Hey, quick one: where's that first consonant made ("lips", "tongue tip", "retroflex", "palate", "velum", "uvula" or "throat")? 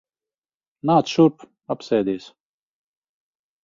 tongue tip